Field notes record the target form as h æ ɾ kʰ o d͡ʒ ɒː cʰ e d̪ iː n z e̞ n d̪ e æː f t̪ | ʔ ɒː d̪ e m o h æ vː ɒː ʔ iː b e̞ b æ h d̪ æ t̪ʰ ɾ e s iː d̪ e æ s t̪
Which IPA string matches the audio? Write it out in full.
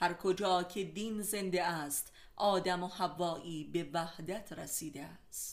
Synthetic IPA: h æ ɾ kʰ o d͡ʒ ɒː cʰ e d̪ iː n z e̞ n d̪ e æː s t̪ | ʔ ɒː d̪ æ m o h æ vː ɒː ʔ iː b e̞ v æ h d̪ æ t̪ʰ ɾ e s iː d̪ e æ s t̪